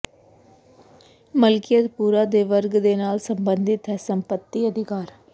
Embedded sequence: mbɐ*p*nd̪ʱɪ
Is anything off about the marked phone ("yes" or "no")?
yes